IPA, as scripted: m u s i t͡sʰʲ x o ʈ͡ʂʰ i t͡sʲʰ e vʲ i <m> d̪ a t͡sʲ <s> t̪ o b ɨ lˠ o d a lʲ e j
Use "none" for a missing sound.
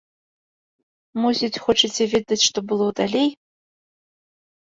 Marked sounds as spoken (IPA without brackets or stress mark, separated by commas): none, ʂ